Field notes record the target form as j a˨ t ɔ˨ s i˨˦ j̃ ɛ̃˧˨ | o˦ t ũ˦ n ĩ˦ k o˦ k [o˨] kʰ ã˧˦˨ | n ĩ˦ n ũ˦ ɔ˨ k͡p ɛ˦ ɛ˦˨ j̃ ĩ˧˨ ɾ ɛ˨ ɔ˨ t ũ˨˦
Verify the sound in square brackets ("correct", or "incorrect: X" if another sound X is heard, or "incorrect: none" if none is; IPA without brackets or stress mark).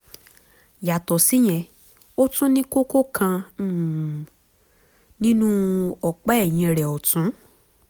incorrect: o˦